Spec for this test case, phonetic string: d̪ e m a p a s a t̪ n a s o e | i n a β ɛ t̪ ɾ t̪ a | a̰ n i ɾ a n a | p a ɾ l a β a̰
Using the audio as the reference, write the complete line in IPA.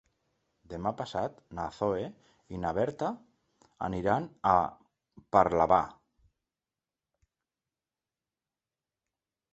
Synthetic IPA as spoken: d̪ e m a p a s a t̪ n a θ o e | i n a β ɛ ɾ t̪ a | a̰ n i ɾ a n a | p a ɾ l a β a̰